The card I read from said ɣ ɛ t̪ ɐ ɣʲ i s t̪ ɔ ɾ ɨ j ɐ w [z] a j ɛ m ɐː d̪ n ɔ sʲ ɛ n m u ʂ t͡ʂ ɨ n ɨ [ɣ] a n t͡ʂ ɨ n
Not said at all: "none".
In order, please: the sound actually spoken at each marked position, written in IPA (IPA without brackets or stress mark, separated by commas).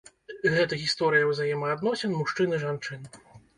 z, ʐ